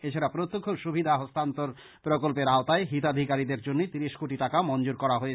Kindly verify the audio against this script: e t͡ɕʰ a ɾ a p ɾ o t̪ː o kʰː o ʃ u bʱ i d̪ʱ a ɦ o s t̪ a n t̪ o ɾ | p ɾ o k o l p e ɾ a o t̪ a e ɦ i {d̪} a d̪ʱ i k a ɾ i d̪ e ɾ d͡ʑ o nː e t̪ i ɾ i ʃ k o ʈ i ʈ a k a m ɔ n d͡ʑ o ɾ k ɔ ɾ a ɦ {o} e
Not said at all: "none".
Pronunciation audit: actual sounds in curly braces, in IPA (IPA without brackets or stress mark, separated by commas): t̪, o